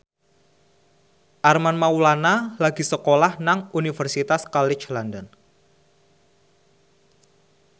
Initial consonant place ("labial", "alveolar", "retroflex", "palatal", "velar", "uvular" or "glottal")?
glottal